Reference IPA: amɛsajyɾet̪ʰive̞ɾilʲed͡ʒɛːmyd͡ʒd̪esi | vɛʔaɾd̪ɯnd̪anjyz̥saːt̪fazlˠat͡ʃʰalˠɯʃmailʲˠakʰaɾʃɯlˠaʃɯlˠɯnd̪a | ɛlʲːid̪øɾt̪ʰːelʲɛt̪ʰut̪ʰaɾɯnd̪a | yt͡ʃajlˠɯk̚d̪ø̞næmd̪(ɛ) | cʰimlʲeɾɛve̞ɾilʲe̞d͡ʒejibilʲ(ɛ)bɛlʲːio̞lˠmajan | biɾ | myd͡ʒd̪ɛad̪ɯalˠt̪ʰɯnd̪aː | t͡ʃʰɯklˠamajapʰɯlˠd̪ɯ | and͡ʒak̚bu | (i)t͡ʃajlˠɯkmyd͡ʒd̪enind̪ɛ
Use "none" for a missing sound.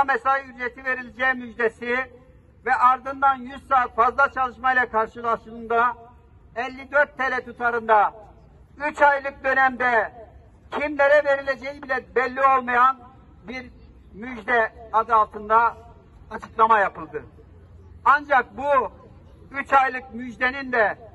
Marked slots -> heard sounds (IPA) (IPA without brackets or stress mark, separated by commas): ɛ, ɛ, y